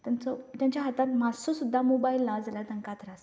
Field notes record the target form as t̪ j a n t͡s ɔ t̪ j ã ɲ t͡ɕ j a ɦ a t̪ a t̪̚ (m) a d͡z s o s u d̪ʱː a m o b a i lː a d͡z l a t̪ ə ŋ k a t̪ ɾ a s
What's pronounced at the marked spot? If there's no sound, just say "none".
m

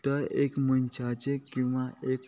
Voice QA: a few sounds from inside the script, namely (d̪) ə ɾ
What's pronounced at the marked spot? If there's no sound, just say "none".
t̪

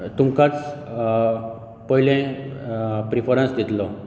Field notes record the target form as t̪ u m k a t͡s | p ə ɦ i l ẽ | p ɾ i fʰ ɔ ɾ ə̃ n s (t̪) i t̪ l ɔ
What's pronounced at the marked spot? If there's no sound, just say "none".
d̪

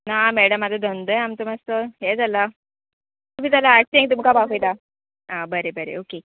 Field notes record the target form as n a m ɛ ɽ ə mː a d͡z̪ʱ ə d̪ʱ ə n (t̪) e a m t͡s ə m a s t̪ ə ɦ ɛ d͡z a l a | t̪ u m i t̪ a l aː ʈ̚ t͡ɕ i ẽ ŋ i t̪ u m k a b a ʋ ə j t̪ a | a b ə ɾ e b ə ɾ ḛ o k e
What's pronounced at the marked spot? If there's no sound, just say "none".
d̪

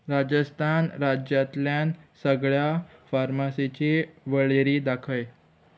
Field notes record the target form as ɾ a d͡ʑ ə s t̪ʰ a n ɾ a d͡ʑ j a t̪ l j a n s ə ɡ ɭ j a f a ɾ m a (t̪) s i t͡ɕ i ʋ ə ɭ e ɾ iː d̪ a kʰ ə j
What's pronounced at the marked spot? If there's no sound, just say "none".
none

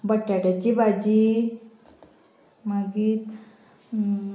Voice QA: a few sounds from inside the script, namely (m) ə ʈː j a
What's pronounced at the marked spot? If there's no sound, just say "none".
b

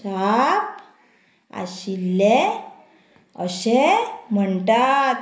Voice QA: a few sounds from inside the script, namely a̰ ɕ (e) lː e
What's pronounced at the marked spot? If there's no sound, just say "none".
i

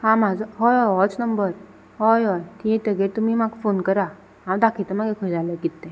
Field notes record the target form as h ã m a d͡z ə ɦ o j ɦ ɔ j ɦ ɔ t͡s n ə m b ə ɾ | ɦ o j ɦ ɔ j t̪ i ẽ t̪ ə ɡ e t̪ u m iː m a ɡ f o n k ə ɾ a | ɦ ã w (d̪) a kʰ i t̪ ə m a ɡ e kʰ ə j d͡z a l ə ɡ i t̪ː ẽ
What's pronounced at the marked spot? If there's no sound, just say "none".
d̪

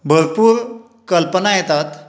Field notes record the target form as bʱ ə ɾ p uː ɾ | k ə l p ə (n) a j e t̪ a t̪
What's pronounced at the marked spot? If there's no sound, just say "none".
n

